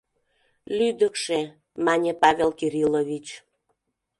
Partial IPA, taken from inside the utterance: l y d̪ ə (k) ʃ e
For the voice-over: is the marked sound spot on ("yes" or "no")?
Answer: yes